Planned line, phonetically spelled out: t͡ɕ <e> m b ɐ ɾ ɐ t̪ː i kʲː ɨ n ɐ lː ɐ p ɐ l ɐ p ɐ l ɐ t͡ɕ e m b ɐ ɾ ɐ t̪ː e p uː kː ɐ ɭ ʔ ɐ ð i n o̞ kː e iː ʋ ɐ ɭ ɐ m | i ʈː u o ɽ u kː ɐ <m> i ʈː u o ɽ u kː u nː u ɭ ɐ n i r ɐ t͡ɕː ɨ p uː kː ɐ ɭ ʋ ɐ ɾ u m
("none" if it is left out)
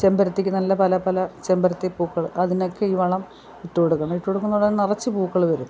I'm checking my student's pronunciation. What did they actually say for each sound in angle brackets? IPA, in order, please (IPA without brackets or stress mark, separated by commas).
e, ɳ